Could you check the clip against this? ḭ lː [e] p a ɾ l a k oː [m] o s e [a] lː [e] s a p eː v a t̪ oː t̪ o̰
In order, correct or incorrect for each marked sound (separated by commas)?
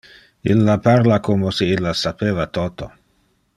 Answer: incorrect, correct, incorrect, incorrect